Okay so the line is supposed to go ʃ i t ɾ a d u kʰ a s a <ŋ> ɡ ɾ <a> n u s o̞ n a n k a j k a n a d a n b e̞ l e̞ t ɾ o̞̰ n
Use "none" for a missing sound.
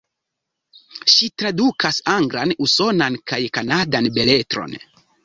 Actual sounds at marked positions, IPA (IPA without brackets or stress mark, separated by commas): ŋ, a